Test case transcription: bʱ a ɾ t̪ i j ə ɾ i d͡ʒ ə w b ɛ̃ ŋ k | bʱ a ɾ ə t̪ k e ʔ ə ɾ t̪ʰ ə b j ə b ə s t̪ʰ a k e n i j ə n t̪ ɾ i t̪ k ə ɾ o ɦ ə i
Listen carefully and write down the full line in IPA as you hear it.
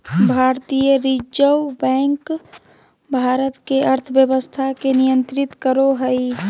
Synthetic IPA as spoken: bʱ a ɾ t̪ i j ə ɾ i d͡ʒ ə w b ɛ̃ ŋ k | bʱ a ɾ ə t̪ k e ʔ ə ɾ t̪ʰ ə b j ə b ə s t̪ʰ a k e n i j ə n t̪ ɾ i t̪ k ə ɾ o ɦ ə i